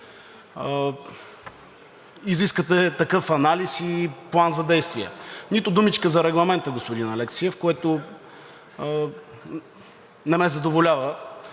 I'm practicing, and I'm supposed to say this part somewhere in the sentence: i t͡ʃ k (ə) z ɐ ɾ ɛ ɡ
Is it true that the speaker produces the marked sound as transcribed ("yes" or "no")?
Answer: yes